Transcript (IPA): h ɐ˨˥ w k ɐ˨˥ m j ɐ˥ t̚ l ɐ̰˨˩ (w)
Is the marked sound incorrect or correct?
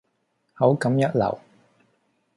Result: correct